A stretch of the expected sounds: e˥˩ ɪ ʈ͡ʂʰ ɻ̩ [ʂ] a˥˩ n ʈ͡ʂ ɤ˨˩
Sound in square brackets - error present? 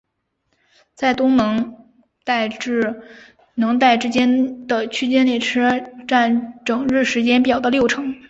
yes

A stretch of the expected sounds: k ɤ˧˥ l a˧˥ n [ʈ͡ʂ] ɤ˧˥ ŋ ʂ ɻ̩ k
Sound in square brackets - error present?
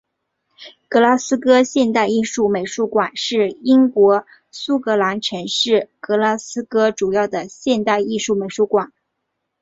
yes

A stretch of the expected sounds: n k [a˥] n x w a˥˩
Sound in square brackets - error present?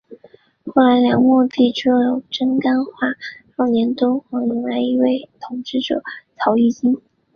no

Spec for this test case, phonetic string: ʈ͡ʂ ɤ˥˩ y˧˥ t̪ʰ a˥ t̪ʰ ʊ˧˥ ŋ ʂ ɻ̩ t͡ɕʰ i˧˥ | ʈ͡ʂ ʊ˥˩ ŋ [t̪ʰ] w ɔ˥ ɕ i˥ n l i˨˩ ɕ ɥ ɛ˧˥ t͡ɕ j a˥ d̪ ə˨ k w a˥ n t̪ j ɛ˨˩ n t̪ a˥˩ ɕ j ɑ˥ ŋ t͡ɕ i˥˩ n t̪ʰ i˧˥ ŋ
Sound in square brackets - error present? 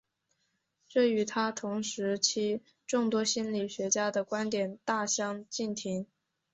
yes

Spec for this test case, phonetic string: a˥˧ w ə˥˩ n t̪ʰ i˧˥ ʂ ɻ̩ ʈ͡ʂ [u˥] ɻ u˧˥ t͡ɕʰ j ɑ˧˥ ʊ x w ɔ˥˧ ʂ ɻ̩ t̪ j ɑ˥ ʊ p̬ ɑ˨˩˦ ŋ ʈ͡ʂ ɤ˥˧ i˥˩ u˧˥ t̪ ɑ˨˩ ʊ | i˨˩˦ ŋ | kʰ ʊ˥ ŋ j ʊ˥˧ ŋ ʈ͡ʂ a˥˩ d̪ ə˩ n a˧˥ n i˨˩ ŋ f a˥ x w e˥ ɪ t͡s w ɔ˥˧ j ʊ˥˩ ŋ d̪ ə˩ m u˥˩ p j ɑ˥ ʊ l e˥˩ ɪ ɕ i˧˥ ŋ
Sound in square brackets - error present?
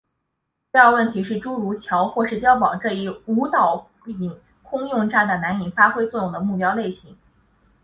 no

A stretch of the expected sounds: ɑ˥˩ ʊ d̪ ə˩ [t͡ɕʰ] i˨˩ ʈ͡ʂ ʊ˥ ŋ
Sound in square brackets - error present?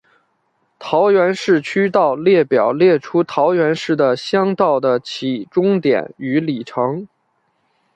no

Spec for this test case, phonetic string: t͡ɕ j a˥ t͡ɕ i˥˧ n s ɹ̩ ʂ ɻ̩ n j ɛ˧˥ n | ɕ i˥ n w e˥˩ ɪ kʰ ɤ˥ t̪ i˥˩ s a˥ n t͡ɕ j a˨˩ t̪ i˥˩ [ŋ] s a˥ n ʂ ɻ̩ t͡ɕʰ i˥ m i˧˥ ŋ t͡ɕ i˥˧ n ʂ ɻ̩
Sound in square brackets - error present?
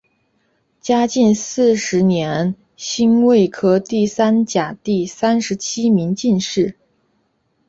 yes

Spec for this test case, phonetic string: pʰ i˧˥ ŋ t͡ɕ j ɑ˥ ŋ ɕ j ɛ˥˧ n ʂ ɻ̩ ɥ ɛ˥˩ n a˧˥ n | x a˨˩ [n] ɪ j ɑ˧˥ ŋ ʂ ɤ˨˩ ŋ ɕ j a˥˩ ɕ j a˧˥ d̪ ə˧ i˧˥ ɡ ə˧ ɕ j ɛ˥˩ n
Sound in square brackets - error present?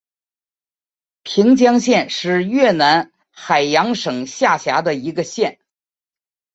yes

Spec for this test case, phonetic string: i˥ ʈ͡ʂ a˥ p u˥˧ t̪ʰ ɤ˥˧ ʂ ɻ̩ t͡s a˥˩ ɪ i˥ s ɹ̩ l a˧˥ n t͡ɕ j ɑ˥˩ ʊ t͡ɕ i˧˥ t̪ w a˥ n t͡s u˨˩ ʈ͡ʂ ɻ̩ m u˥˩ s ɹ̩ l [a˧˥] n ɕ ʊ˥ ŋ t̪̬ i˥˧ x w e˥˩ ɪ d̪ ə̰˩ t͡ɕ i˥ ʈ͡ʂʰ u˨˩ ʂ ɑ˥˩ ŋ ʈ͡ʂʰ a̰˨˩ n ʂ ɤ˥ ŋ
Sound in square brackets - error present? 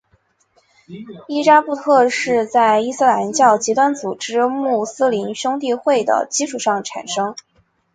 yes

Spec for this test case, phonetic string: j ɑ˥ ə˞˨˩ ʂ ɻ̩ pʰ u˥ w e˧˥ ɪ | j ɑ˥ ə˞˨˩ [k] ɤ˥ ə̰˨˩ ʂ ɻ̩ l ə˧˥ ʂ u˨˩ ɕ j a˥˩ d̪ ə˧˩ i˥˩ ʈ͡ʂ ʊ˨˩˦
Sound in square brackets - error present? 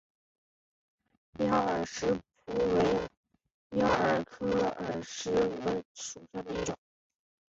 yes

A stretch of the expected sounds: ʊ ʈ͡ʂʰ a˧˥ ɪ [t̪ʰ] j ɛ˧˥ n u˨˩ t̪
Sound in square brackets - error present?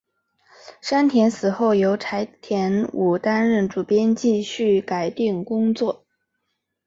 no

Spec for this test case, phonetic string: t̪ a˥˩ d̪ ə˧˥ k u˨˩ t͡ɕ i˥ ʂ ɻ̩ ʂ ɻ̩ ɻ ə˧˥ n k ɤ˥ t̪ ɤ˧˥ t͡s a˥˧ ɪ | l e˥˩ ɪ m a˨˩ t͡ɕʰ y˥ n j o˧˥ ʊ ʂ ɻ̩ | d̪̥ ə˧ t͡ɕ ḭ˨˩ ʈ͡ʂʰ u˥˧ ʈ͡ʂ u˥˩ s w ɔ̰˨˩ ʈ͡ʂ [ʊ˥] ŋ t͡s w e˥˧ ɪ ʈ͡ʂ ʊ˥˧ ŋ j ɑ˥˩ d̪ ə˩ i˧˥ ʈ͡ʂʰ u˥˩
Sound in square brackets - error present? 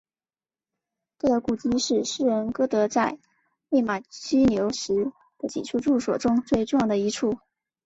no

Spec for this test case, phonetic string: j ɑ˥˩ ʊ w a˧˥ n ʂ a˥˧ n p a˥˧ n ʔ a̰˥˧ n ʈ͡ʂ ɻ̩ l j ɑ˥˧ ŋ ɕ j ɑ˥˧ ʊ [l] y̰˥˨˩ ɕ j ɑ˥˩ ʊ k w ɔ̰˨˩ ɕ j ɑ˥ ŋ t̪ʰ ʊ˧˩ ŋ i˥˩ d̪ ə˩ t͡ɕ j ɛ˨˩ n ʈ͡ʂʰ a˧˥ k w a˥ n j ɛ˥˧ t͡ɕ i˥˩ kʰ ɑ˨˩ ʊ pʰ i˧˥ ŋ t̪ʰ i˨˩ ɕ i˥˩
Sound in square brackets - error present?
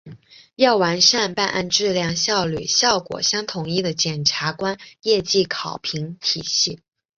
no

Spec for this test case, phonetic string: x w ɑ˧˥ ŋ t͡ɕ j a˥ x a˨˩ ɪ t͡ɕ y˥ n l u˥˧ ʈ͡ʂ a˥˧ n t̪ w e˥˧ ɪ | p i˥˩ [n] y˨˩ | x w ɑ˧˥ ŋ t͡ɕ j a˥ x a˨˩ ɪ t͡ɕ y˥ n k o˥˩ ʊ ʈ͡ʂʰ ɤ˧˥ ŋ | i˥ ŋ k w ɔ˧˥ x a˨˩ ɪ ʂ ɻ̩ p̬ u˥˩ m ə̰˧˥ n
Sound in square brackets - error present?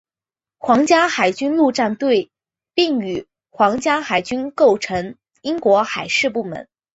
yes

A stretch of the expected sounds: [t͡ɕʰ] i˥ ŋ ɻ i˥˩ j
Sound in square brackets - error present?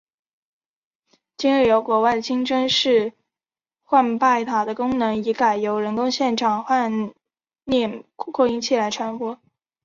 yes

